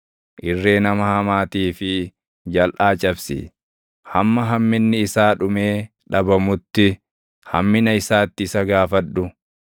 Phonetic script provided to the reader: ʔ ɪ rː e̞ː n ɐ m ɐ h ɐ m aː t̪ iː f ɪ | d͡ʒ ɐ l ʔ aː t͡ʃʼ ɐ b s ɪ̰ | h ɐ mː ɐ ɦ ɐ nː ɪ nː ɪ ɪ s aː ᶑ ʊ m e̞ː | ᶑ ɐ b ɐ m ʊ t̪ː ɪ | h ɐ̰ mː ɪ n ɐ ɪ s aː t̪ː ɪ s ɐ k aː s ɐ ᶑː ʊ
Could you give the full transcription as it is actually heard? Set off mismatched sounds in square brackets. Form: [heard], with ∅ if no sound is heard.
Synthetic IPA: ʔ ɪ rː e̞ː n ɐ m ɐ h ɐ m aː t̪ iː f ɪ | d͡ʒ ɐ l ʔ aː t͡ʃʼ ɐ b s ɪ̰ | h ɐ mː ɐ ɦ ɐ [mː] ɪ nː ɪ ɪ s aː ᶑ ʊ m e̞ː | ᶑ ɐ b ɐ m ʊ t̪ː ɪ | h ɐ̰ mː ɪ n ɐ ɪ s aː t̪ː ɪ s ɐ [ɡ] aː [f] ɐ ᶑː ʊ

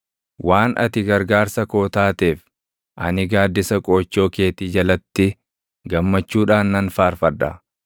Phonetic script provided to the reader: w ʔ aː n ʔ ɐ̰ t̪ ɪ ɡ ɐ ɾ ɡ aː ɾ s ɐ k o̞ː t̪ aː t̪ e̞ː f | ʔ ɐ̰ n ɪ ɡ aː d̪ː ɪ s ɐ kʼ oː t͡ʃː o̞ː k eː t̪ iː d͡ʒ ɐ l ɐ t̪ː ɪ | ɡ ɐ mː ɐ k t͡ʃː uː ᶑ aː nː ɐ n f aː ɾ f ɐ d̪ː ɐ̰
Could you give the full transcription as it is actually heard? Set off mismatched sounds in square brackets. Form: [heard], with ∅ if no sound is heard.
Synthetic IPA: w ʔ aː n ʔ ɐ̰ t̪ ɪ ɡ ɐ ɾ ɡ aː ɾ s ɐ k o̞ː t̪ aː t̪ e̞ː f | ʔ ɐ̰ n ɪ ɡ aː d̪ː ɪ s ɐ kʼ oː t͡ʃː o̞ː k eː t̪ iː d͡ʒ ɐ l ɐ t̪ː ɪ | ɡ ɐ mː ɐ [∅] t͡ʃː uː ᶑ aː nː ɐ n f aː ɾ f ɐ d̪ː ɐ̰

